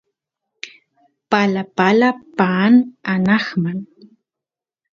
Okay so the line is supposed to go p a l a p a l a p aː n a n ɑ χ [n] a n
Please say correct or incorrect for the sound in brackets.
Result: incorrect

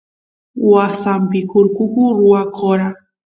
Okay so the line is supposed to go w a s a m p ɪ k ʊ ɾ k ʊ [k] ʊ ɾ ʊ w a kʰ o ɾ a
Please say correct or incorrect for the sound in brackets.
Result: correct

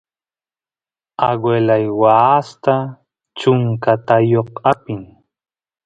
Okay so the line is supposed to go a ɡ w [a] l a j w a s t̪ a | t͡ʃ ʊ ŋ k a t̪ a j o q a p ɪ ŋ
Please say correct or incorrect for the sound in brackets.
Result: incorrect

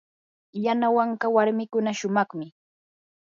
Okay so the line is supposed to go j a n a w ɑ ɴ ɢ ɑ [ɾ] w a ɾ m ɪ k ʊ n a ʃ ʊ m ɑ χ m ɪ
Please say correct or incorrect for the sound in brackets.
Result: incorrect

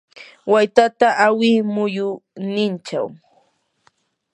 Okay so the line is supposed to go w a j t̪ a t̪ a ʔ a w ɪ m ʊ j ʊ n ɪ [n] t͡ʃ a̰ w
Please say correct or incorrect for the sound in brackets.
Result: correct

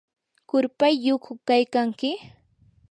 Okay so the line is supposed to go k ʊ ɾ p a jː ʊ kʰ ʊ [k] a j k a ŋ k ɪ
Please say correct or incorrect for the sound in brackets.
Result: correct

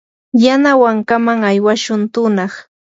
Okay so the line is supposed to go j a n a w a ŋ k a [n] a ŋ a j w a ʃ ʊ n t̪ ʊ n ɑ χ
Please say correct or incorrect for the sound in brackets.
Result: incorrect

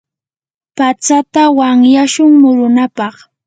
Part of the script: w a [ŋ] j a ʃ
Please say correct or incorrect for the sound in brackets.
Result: correct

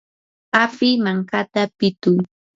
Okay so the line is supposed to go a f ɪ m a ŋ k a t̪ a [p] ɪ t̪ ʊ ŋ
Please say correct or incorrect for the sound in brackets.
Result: correct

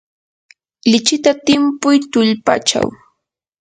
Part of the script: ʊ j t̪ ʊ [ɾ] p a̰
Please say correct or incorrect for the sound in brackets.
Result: incorrect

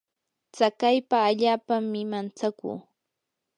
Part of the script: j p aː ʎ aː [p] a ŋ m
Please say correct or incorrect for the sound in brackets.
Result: correct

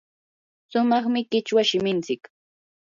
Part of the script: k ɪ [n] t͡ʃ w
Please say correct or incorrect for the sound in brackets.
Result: incorrect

